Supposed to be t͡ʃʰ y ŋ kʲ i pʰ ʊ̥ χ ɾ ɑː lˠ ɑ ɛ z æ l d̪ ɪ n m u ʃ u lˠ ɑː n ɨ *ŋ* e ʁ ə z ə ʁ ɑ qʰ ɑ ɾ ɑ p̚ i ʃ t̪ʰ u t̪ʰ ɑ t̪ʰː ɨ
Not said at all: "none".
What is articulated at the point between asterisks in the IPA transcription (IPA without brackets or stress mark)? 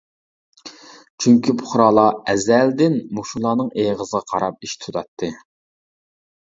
ŋ